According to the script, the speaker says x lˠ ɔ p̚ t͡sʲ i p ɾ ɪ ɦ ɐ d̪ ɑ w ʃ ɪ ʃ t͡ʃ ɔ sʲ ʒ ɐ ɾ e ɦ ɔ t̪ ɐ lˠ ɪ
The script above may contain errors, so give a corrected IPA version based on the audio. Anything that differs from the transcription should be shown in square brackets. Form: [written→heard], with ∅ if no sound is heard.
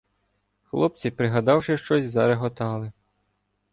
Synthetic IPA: x lˠ ɔ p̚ t͡sʲ i p ɾ ɪ ɦ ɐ d̪ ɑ w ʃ ɪ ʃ t͡ʃ ɔ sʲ [ʒ→z] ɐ ɾ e ɦ ɔ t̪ [ɐ→ɑ] lˠ ɪ